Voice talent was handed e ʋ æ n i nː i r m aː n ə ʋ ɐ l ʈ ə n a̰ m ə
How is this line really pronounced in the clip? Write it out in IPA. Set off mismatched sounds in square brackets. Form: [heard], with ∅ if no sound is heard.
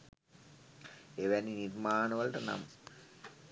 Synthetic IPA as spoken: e ʋ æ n i [n] i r m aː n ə ʋ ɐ l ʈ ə n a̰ m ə